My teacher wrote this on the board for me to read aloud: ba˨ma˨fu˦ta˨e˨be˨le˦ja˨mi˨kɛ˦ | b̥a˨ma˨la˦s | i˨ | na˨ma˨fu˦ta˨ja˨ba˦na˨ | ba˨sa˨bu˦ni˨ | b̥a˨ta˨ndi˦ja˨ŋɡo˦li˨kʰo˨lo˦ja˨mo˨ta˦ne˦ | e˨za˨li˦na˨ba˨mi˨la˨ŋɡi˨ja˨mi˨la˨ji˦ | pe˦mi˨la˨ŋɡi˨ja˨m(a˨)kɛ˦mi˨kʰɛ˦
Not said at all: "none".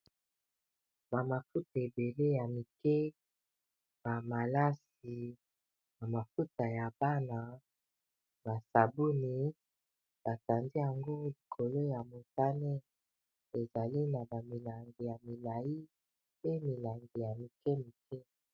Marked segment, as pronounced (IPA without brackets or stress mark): i˨